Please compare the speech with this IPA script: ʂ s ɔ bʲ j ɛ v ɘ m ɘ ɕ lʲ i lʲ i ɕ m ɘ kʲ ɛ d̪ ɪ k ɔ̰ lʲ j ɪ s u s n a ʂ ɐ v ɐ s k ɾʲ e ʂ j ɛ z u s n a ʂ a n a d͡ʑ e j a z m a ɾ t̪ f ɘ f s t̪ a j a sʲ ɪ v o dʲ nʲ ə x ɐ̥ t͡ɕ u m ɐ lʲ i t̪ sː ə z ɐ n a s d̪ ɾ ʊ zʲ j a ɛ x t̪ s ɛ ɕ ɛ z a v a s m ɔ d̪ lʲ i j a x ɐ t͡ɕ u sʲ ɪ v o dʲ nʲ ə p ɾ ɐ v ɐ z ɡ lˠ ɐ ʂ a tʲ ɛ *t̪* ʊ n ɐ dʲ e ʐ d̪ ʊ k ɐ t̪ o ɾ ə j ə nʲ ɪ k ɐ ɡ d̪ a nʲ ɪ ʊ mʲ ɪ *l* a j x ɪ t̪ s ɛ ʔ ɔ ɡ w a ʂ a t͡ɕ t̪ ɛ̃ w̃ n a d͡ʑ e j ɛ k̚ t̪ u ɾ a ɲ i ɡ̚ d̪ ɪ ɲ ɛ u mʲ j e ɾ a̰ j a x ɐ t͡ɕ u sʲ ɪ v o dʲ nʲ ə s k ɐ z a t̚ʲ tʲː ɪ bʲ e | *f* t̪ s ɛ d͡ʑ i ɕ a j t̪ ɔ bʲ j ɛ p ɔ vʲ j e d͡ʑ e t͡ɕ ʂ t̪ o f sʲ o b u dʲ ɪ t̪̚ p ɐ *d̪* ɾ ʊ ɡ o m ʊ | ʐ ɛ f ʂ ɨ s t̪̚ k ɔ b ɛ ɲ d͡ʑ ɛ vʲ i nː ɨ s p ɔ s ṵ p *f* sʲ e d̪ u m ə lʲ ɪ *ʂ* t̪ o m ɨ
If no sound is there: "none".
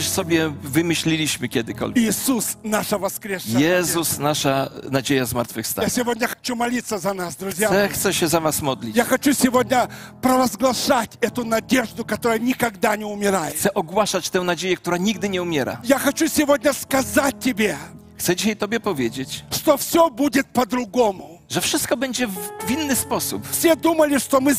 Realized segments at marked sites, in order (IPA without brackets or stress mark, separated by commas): t̪, ɾ, x, d̪, f, ʂ